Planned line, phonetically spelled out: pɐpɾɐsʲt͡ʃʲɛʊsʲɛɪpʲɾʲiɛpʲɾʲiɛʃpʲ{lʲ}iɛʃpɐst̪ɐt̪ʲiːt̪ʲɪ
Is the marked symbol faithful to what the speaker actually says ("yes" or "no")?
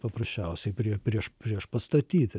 no